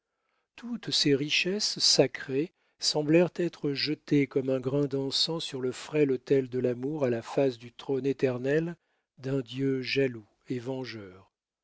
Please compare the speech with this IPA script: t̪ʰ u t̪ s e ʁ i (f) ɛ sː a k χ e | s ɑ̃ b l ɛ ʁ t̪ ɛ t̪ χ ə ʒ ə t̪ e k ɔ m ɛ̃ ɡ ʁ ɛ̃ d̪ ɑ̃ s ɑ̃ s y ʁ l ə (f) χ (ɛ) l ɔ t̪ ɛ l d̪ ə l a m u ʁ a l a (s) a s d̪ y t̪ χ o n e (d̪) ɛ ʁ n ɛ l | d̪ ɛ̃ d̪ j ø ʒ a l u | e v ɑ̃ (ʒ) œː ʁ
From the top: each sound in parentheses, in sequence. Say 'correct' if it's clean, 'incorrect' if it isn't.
incorrect: ʃ, correct, correct, incorrect: f, incorrect: t̪, correct

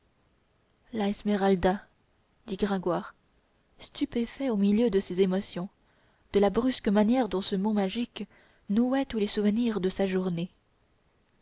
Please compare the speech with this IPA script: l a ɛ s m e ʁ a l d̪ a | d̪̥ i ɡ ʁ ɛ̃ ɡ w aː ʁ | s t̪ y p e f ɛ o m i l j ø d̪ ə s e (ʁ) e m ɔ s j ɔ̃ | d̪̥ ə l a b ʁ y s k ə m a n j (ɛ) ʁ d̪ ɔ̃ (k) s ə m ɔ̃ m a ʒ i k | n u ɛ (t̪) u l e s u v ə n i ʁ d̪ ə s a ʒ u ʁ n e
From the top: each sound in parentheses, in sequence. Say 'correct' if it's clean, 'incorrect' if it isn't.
incorrect: z, correct, incorrect: none, correct

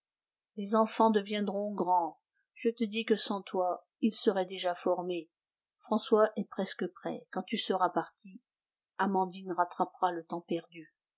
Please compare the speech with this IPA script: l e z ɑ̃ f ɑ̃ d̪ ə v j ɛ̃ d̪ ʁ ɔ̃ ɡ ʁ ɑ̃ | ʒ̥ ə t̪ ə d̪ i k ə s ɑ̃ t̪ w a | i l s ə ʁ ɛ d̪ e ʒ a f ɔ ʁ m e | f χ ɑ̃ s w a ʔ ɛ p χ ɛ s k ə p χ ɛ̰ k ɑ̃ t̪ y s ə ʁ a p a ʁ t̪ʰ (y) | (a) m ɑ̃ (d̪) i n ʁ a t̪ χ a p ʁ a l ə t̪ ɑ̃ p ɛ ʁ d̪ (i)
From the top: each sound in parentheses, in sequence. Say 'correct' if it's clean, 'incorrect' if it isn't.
incorrect: i, correct, correct, incorrect: y

